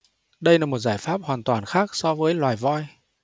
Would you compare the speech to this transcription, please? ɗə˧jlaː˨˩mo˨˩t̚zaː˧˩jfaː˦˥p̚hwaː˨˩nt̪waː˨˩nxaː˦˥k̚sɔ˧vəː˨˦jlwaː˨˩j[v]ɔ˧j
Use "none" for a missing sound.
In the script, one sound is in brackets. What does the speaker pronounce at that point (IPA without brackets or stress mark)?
v